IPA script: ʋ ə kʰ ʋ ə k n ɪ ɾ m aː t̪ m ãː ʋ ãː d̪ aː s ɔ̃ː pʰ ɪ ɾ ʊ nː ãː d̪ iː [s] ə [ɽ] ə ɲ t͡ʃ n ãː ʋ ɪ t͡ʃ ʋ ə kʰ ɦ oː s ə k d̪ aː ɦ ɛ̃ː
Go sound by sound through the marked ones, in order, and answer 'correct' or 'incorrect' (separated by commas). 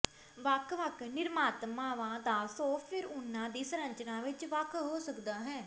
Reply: correct, incorrect